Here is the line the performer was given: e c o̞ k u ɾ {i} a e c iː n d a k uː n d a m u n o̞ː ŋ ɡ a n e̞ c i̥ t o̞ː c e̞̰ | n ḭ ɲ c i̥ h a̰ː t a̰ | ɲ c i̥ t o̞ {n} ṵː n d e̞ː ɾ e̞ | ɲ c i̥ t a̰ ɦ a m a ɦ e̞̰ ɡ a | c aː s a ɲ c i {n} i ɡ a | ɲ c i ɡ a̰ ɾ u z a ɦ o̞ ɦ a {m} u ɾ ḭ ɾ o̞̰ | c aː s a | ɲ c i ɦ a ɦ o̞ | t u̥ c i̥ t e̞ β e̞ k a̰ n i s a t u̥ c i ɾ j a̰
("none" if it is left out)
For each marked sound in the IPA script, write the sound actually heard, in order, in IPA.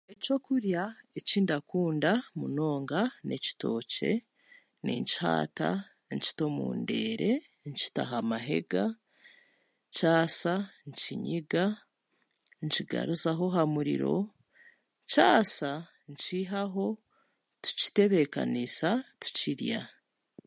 j, m, ɲ, m

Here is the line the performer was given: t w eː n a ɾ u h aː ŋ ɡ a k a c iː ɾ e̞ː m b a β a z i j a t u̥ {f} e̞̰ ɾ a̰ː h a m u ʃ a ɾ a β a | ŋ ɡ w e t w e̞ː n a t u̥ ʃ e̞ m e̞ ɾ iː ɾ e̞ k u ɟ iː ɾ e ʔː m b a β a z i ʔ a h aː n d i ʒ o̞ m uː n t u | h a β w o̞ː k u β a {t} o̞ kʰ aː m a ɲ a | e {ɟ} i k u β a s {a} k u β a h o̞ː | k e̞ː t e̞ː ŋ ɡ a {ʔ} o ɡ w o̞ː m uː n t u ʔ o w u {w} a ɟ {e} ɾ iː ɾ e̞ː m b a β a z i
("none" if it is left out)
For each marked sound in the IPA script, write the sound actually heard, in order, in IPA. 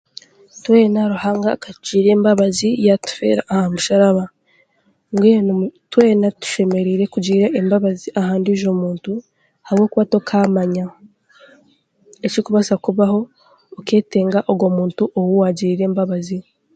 f, t, c, a, ʔ, w, i

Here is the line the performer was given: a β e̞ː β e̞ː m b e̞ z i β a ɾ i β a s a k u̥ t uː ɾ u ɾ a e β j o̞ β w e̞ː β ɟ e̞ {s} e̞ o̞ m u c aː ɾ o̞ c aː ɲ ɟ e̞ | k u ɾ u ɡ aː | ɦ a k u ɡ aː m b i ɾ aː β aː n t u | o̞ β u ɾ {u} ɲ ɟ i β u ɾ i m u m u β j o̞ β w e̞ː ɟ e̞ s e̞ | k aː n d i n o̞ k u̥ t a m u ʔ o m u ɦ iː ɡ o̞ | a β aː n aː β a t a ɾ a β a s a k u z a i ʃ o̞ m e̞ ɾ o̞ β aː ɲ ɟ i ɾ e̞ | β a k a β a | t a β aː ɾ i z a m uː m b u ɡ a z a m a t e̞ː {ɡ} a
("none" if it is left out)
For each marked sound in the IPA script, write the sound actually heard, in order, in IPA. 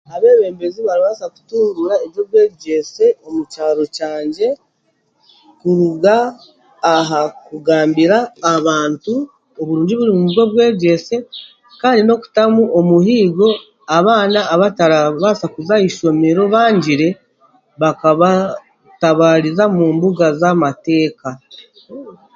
s, uː, k

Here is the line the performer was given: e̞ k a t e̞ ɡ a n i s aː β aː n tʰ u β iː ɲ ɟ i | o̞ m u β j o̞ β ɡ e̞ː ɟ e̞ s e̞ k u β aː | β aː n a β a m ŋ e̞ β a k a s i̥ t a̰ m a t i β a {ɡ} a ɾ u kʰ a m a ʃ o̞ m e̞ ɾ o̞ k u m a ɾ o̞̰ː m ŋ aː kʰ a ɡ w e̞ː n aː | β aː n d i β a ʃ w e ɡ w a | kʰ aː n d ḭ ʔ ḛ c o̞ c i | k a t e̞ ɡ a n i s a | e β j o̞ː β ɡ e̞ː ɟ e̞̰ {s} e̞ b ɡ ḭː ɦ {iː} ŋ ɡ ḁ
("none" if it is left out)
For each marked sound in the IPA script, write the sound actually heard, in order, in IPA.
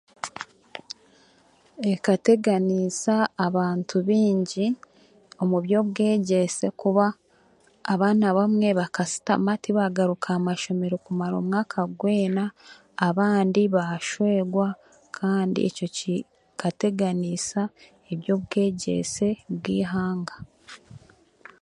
ɡ, s, aː

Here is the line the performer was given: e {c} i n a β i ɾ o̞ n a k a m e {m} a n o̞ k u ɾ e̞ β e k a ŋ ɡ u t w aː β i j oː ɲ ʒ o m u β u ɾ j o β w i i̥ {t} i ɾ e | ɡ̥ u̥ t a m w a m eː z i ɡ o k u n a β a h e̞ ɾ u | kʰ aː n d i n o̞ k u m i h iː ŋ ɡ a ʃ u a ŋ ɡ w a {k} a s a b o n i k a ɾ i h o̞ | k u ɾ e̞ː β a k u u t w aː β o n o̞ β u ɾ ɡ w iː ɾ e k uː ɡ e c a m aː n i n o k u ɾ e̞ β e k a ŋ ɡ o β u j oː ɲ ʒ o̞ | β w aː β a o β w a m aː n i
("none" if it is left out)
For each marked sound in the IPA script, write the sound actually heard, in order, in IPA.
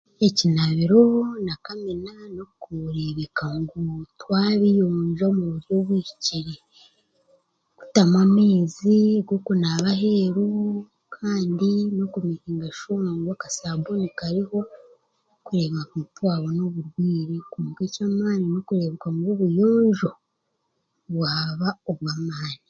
c, n, c, k

